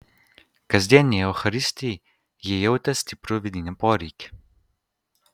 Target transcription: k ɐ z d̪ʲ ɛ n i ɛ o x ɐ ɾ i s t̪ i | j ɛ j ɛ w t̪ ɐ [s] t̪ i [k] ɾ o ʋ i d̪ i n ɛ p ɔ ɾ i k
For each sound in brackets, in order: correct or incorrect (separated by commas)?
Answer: correct, incorrect